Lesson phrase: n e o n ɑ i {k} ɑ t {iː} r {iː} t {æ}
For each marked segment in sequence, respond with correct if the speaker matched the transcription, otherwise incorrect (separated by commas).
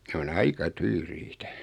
correct, incorrect, correct, correct